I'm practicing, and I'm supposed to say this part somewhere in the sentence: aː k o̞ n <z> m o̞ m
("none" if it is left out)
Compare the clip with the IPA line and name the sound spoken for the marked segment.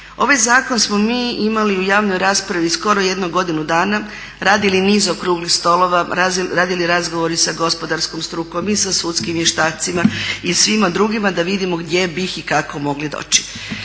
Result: s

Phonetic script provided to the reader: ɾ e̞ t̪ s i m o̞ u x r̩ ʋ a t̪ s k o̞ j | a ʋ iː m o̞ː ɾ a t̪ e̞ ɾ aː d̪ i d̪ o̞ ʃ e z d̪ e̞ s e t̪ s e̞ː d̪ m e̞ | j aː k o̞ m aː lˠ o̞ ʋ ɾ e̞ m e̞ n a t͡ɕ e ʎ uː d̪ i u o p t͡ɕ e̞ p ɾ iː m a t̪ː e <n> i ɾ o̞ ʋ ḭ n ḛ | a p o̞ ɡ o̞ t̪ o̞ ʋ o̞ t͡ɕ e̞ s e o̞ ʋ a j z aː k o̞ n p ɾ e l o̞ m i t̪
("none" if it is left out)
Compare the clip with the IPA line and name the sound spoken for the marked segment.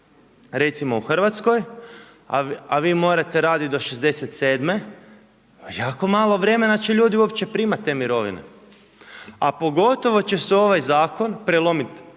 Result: m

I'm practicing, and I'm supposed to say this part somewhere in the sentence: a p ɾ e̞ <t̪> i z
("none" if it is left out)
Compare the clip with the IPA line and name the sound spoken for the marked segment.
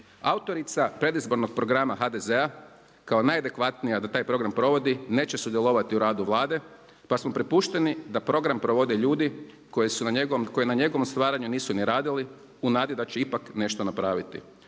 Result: d̪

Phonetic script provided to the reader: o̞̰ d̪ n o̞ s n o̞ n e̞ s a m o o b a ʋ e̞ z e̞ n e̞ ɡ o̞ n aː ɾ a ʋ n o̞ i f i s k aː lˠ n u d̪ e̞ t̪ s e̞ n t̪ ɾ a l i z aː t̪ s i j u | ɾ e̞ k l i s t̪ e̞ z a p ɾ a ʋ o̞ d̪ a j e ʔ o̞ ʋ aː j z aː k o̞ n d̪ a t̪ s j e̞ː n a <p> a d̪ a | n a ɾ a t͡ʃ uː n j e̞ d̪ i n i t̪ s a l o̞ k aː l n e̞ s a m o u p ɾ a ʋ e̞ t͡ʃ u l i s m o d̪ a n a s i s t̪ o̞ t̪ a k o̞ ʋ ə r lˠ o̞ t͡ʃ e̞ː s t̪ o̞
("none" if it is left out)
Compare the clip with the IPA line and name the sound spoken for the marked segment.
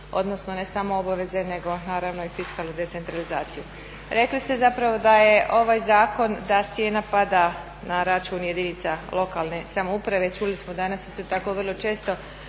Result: p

